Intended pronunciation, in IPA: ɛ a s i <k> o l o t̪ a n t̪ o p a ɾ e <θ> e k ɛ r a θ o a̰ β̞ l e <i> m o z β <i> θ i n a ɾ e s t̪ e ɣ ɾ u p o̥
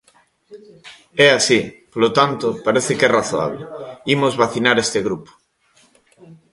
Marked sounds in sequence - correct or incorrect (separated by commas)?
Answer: incorrect, correct, correct, incorrect